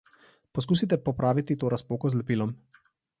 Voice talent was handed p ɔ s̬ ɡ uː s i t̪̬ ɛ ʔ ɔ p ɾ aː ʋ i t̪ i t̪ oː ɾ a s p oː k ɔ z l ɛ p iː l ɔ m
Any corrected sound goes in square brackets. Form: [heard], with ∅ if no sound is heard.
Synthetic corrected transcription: p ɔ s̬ [k] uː s i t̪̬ ɛ [p] ɔ p ɾ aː ʋ i t̪ i t̪ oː ɾ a s p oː k ɔ z l ɛ p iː l ɔ m